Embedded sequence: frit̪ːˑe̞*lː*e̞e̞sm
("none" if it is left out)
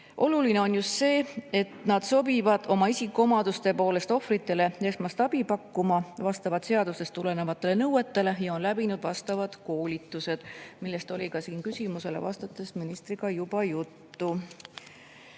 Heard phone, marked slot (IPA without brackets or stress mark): l